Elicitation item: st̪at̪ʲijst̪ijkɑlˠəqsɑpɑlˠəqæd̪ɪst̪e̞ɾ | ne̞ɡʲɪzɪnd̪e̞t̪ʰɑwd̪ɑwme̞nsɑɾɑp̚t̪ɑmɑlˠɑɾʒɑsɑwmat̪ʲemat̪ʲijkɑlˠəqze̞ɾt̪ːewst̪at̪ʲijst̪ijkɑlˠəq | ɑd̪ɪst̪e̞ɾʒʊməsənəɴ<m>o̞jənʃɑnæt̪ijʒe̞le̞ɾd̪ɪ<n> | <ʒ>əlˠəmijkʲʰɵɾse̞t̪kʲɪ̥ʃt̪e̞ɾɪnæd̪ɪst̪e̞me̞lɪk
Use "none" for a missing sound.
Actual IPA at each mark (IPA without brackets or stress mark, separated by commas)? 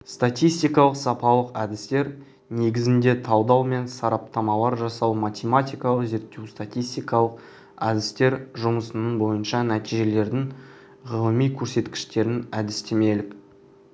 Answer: b, ŋ, ʁ